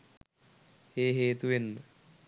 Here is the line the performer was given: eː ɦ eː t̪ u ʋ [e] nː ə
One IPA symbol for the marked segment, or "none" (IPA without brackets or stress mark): e